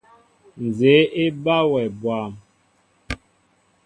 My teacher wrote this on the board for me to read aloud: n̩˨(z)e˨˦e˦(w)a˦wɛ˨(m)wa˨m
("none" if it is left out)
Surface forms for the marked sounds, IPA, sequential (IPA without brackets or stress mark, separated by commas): z, b, b